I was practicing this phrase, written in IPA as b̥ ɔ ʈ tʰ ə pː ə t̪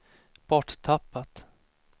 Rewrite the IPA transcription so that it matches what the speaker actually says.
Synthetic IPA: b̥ ɔ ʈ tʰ a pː a t̪